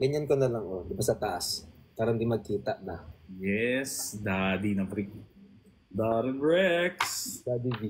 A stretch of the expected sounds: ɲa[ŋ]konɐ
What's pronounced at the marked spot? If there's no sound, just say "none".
n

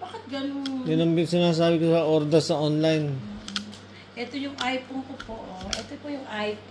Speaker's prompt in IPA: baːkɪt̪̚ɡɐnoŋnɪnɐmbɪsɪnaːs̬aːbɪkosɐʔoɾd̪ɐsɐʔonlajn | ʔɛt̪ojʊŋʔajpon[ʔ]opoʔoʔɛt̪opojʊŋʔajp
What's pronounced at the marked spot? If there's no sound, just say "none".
k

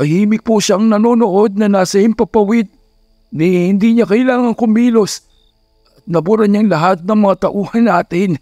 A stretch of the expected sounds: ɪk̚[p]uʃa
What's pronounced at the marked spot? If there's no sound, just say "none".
p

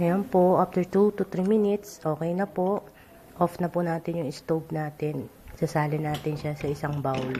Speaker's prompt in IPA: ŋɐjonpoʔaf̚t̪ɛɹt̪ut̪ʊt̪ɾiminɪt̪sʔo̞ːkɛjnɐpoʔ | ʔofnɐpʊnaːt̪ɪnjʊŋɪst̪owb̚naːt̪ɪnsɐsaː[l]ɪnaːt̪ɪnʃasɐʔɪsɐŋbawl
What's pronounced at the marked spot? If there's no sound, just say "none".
l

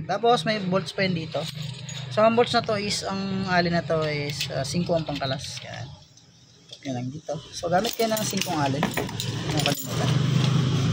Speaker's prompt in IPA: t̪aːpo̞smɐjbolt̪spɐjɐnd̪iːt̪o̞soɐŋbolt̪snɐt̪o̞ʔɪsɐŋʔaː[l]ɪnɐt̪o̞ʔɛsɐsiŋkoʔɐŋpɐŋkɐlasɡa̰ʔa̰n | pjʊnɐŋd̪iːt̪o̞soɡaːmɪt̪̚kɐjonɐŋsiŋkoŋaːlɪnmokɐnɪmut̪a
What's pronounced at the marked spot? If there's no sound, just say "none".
l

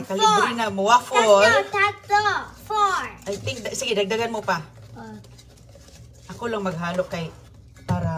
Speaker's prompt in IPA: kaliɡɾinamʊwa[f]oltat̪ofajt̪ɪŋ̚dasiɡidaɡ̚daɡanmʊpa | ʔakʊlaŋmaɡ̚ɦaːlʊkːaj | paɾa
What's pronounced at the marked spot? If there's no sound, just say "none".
f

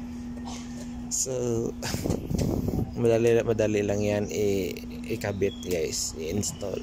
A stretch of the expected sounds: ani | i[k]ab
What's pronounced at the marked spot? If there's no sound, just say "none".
k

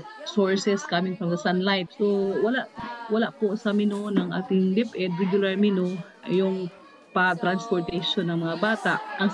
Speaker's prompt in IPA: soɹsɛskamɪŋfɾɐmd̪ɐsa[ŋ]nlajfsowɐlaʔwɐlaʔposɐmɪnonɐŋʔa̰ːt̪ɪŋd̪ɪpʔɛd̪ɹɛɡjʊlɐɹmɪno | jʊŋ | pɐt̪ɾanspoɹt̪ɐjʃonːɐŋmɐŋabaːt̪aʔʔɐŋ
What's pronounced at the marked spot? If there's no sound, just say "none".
none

